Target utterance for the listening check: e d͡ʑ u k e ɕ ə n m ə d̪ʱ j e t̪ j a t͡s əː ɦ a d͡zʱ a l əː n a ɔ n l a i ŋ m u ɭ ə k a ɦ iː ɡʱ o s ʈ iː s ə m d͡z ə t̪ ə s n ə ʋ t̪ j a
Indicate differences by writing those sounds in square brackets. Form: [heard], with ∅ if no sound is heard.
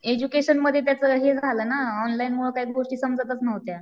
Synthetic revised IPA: e d͡ʑ u k e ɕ ə n m ə d̪ʱ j e t̪ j a t͡s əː ɦ [e] d͡zʱ a l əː n a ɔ n l a i [n] m u ɭ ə k a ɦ iː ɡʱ o [ʂ] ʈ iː s ə m d͡z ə t̪ ə [t͡s] n ə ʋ t̪ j a

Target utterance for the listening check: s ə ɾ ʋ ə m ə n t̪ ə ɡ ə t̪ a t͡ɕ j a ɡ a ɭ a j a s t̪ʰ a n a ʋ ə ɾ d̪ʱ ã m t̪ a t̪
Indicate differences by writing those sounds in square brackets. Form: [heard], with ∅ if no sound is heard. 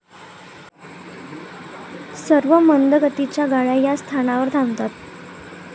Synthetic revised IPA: s ə ɾ ʋ ə m ə n [d̪] ə ɡ ə t̪ [i] t͡ɕ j a ɡ a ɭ a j a s t̪ʰ a n a ʋ ə ɾ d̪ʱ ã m t̪ a t̪

